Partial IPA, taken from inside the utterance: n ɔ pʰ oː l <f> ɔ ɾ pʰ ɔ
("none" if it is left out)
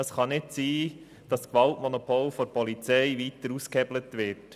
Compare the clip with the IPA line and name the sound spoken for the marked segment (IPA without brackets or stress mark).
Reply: f